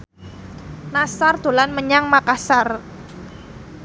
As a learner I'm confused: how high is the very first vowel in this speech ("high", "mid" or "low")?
low